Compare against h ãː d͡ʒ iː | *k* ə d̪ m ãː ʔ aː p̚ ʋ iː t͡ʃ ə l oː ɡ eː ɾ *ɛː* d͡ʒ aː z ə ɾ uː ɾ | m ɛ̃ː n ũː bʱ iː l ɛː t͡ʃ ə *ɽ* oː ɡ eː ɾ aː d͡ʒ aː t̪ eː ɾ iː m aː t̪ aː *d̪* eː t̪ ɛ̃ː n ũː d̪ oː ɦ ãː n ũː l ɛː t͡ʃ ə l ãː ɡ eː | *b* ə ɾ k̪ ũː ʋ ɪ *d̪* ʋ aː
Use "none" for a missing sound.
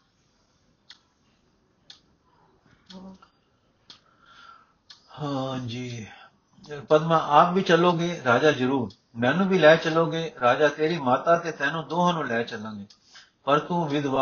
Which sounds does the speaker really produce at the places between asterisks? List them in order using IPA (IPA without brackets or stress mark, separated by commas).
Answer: p, aː, l, t̪, p, d̪